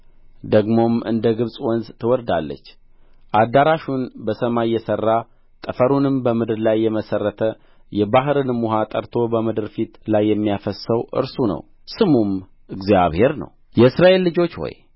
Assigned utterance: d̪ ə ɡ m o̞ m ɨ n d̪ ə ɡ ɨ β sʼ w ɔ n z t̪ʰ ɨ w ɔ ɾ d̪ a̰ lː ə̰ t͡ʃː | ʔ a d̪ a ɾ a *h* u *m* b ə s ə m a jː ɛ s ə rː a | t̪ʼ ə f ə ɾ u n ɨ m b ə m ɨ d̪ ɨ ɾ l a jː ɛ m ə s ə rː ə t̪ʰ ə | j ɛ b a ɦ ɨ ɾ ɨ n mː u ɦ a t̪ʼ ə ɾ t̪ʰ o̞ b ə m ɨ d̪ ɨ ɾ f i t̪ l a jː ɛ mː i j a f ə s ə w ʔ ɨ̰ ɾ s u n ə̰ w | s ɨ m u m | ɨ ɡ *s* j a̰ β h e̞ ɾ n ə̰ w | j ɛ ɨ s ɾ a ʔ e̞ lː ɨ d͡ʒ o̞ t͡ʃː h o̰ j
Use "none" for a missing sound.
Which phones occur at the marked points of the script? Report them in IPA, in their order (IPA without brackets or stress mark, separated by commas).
ʃ, n, z